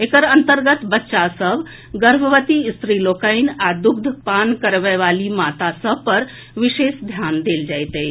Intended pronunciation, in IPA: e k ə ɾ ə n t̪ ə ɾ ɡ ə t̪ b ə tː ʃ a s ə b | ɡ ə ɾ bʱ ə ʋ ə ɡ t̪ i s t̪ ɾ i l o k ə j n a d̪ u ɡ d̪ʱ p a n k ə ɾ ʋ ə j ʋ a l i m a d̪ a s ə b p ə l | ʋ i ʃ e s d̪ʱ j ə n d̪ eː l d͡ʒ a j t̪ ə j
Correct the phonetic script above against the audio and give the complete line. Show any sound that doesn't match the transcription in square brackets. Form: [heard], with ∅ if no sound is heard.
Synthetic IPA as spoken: e k ə ɾ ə n t̪ ə ɾ ɡ ə t̪ b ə tː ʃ a s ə b | ɡ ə ɾ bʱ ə ʋ ə [∅] t̪ i s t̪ ɾ i l o k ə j n a d̪ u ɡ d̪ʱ p a n k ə ɾ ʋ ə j ʋ a l i m a [t̪] a s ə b p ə [ɾ] | ʋ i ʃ e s d̪ʱ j [a] n d̪ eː l d͡ʒ a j t̪ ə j

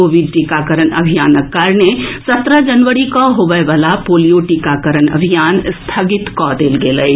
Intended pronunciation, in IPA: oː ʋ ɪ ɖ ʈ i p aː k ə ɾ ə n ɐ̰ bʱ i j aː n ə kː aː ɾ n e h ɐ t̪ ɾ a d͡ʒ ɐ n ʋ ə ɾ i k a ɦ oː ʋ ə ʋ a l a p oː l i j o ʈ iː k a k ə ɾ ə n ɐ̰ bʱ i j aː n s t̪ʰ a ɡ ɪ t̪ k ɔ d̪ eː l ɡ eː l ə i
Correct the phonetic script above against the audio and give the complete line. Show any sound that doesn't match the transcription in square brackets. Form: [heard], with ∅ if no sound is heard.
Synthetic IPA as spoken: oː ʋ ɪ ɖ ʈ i [k] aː k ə ɾ ə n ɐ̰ bʱ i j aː n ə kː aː ɾ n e [s] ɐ t̪ ɾ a d͡ʒ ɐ n ʋ ə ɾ i k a ɦ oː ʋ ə ʋ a l a p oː l i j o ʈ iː k a k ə ɾ ə n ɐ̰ bʱ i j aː n s t̪ʰ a ɡ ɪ t̪ k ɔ d̪ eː l ɡ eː l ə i

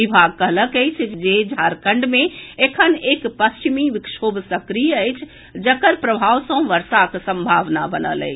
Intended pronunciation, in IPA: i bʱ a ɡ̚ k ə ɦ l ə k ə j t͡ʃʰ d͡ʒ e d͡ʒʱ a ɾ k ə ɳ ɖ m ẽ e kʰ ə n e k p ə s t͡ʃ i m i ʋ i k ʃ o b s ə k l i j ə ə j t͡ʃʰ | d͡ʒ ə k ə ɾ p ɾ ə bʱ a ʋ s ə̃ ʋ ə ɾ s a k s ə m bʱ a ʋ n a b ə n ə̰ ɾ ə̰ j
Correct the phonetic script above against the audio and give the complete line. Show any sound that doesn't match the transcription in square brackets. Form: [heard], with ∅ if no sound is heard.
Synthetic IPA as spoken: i bʱ a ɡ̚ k ə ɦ l ə k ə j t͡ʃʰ d͡ʒ e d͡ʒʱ a ɾ k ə ɳ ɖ m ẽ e kʰ ə n e k p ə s t͡ʃ i m i ʋ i k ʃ o b s ə k [ɾ] i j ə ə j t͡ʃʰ | d͡ʒ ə k ə ɾ p ɾ ə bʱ a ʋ s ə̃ ʋ ə ɾ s a k s ə m bʱ a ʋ n a b ə n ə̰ [l] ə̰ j

